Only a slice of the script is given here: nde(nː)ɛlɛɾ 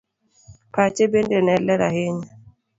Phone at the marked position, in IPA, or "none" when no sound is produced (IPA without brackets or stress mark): n